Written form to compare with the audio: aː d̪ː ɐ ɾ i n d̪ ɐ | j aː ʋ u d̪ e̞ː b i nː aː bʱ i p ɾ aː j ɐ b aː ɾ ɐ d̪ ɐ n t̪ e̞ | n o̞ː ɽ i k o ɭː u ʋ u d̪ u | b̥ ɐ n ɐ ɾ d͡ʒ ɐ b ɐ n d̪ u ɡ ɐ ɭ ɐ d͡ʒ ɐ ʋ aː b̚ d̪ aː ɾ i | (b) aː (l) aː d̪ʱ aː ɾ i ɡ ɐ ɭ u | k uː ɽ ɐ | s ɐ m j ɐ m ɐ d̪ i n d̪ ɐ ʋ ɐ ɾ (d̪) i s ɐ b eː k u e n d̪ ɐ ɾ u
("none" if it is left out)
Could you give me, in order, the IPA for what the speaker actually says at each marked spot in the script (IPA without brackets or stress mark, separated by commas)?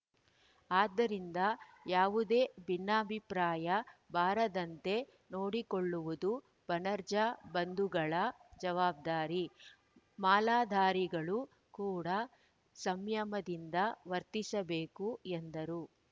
m, l, t̪